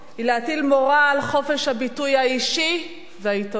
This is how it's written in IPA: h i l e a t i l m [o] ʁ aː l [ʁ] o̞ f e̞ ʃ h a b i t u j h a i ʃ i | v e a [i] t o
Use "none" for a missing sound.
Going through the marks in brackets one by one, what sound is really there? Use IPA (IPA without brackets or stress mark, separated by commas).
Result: o, χ, i